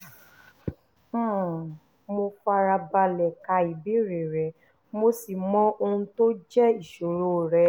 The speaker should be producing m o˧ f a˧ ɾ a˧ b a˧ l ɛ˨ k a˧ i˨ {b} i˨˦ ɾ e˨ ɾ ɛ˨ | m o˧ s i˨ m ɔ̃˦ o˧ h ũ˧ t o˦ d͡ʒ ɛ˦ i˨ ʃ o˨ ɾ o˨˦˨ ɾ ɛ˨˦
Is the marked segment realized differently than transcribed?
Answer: no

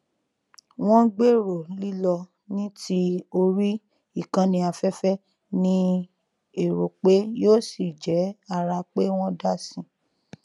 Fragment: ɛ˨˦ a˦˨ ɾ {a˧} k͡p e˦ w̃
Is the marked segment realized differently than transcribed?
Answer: no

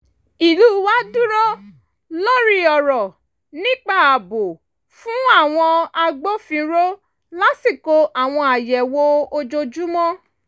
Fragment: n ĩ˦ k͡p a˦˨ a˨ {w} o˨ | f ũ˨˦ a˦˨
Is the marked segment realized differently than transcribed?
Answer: yes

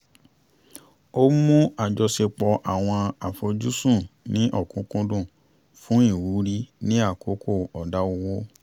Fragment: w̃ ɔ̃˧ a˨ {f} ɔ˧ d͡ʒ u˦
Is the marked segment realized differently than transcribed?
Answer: no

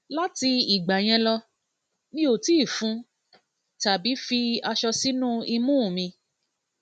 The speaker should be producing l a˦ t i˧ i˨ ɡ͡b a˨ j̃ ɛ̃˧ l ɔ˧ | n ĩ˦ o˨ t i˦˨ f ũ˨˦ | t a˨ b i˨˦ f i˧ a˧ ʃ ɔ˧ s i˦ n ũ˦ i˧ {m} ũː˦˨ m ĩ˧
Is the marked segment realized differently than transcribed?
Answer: no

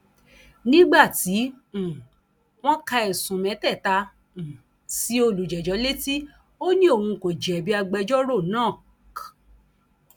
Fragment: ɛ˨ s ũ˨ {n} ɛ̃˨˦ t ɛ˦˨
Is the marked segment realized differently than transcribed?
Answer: yes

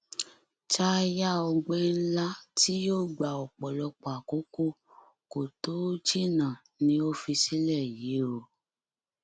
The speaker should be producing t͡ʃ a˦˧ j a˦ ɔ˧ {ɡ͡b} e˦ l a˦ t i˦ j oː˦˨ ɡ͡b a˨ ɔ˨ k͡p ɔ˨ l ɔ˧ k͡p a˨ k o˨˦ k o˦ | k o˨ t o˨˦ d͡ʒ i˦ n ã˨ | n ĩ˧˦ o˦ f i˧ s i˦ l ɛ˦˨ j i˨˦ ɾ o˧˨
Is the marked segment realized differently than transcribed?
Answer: no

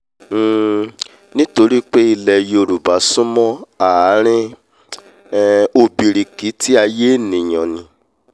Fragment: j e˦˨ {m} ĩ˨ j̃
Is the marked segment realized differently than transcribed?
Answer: yes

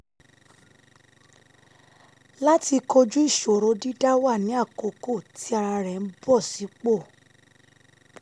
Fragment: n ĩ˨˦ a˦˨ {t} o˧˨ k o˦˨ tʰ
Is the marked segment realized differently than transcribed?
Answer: yes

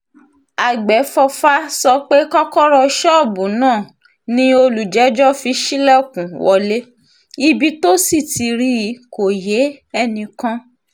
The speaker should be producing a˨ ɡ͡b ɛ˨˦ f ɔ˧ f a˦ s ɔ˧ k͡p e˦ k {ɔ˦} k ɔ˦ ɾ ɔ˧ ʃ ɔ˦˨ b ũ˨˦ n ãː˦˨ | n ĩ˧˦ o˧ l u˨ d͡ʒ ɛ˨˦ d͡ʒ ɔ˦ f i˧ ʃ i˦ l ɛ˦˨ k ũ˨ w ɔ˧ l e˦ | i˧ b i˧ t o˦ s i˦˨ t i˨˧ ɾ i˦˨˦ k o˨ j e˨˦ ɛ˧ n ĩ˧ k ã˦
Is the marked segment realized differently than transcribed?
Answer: no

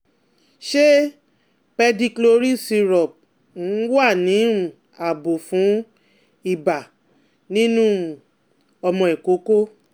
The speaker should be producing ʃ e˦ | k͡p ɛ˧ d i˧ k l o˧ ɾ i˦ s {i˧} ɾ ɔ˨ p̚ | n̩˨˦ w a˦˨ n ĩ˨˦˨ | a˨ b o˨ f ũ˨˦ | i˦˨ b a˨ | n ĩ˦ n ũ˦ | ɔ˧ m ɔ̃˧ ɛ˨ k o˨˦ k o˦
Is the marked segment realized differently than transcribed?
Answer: no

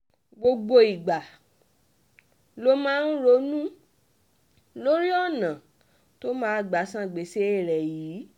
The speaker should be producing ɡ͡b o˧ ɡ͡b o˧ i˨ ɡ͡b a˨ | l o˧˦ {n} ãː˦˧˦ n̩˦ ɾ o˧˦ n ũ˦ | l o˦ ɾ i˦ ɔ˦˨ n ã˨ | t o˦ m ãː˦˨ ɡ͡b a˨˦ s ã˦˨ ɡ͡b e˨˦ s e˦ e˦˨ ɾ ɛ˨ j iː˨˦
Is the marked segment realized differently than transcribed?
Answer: yes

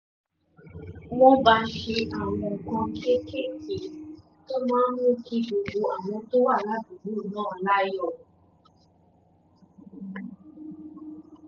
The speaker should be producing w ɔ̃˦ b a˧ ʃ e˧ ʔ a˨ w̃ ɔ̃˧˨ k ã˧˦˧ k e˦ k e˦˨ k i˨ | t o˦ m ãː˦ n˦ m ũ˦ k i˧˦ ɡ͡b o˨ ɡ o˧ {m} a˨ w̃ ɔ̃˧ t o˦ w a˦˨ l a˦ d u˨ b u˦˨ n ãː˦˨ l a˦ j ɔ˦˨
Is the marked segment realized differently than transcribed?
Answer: yes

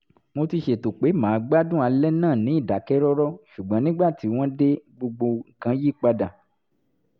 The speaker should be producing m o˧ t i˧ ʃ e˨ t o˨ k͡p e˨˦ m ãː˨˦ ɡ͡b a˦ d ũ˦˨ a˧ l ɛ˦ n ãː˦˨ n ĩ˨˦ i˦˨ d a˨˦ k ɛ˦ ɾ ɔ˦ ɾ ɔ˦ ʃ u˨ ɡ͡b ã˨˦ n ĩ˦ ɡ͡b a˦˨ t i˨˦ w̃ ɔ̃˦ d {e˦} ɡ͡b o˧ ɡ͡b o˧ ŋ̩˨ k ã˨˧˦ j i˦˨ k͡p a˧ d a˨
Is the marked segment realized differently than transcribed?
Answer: no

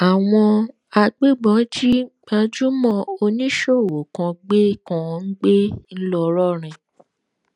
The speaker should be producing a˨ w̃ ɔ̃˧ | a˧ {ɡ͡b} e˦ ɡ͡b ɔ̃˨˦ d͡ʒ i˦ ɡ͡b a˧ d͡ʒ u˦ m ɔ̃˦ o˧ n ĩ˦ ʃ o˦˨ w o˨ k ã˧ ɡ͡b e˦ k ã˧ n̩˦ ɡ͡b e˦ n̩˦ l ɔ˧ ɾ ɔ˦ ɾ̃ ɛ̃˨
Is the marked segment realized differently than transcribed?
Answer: no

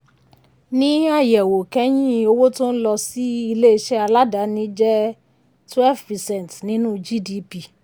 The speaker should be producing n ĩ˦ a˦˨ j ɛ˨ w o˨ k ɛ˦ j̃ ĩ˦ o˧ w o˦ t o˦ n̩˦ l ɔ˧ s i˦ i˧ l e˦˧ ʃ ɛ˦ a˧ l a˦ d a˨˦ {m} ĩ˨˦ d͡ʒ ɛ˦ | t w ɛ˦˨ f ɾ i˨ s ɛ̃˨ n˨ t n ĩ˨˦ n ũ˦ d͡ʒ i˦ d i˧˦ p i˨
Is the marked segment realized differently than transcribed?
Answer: yes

